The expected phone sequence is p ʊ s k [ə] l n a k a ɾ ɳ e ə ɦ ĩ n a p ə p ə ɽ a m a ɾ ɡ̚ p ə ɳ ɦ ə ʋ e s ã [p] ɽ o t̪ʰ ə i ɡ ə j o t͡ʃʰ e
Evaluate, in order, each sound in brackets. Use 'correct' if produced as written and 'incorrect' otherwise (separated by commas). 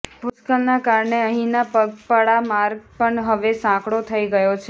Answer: correct, incorrect